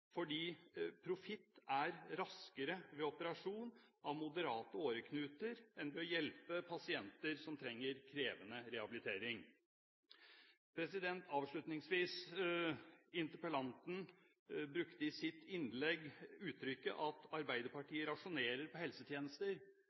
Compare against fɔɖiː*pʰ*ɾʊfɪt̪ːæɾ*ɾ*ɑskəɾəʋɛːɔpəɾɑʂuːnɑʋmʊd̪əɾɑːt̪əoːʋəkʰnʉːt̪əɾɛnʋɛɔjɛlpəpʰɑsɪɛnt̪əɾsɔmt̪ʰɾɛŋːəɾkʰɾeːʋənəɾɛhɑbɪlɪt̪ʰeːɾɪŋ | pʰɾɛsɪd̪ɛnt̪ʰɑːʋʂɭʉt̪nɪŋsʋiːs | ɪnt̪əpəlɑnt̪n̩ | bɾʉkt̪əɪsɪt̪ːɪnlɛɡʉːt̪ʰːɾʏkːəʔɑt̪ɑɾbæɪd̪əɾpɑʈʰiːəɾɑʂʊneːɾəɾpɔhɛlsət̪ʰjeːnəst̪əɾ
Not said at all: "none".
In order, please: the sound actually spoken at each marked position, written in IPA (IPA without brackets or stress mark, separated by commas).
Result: pʰ, ɾ